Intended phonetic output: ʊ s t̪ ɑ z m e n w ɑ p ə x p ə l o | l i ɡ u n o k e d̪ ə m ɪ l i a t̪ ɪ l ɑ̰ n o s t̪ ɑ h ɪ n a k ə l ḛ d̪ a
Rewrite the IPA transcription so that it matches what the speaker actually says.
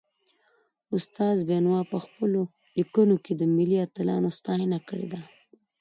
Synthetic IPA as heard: ʊ s t̪ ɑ z b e n w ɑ p ə x p ə l o | l i k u n o k e d̪ ə m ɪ l i a t̪ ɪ l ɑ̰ n o s t̪ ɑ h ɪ n a k ə ɽ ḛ d̪ a